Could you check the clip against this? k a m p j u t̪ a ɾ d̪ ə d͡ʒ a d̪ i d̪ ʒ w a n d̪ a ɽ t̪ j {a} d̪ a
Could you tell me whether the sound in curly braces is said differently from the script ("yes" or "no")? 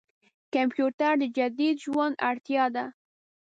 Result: yes